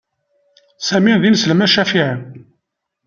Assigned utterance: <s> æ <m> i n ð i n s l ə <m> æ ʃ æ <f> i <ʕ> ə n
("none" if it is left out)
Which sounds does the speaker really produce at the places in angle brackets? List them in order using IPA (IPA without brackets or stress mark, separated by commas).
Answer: s, m, m, f, ʕ